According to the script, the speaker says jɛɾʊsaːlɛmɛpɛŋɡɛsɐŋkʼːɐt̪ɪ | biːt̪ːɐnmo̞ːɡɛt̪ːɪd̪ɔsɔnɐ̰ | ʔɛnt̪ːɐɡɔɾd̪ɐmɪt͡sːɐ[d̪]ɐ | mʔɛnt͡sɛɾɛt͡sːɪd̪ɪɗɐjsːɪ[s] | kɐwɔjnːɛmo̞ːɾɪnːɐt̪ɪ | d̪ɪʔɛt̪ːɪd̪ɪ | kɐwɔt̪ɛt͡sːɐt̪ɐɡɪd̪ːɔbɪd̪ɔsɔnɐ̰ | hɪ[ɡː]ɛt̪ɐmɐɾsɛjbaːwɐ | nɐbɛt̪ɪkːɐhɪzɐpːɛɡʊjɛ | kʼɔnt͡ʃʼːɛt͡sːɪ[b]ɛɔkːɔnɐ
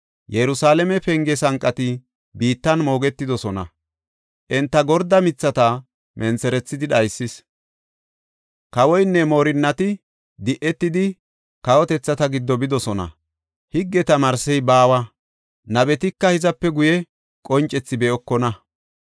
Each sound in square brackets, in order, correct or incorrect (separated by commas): incorrect, correct, correct, correct